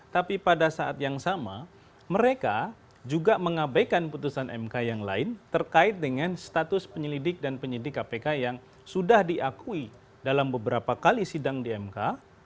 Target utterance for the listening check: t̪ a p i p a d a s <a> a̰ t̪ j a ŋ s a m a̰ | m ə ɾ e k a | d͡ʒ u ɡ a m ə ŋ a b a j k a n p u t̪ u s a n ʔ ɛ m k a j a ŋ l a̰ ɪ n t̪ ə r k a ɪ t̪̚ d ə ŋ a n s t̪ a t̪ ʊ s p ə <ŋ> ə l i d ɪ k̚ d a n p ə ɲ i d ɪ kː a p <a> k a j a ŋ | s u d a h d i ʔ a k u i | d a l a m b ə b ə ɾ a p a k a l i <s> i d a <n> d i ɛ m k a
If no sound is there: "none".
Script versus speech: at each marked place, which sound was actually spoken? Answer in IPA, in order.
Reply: a, ɲ, e, s, ŋ

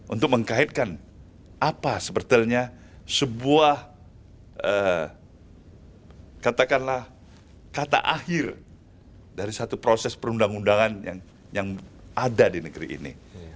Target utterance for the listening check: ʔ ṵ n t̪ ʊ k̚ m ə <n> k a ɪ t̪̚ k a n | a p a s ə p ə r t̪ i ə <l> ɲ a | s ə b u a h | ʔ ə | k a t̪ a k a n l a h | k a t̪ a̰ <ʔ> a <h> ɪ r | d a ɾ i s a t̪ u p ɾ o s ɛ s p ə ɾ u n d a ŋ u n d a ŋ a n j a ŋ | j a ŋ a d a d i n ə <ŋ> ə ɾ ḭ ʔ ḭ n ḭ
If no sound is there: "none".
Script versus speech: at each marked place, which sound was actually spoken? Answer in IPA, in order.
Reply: ŋ, l, ʔ, h, ɡ

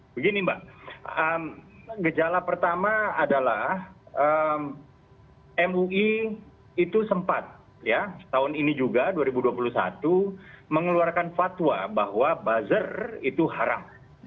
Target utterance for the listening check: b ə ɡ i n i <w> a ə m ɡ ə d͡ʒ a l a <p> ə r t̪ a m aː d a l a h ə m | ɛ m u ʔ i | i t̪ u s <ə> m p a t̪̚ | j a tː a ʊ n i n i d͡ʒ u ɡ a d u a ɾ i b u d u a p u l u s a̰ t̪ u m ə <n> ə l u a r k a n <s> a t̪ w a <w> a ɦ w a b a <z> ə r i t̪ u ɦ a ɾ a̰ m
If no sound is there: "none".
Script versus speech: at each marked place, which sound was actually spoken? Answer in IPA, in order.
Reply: b, p, ə, ŋ, f, b, z

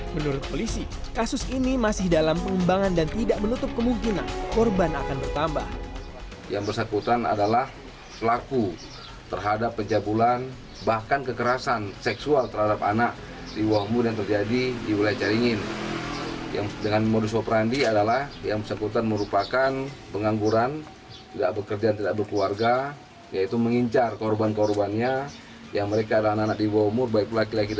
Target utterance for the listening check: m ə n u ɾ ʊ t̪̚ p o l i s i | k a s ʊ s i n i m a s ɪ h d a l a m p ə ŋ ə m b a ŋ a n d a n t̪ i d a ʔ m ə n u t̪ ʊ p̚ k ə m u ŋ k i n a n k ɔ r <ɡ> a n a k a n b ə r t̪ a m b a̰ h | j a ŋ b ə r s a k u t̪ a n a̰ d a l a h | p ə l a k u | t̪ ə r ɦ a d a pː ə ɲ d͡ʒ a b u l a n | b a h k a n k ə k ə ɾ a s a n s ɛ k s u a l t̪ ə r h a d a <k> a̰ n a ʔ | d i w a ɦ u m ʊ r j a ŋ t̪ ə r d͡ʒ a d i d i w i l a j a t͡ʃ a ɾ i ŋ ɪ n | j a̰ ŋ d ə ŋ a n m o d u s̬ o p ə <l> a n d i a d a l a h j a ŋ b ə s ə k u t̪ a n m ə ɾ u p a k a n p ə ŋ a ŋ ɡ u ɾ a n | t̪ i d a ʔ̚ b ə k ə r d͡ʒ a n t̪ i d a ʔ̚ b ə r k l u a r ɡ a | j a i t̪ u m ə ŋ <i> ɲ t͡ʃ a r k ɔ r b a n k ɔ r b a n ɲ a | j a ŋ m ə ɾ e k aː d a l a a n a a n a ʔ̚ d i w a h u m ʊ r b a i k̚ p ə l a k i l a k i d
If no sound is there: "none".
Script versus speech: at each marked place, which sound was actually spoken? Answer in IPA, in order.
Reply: b, p, ɾ, i

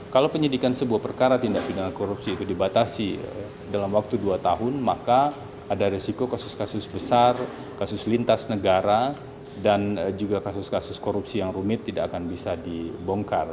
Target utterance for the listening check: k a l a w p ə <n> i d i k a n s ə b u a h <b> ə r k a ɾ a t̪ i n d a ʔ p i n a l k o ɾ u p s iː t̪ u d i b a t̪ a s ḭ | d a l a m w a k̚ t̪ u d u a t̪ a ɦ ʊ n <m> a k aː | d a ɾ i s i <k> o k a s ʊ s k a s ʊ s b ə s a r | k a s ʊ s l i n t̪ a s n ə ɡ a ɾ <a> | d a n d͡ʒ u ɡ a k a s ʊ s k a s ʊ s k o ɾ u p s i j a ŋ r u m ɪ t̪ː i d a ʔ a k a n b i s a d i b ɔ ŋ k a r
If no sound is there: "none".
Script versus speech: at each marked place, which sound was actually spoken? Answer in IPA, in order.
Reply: ɲ, p, m, k, a

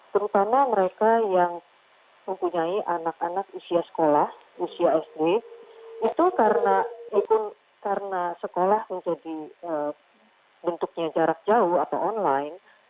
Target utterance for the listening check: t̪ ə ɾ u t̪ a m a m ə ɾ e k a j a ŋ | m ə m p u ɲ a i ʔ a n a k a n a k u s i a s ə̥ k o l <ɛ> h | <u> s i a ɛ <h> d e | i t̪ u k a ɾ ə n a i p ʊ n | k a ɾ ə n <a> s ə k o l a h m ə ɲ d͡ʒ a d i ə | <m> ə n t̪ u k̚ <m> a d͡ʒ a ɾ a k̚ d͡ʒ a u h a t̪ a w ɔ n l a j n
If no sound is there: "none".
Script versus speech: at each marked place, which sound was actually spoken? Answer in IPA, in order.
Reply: a, u, s, a, b, ɲ

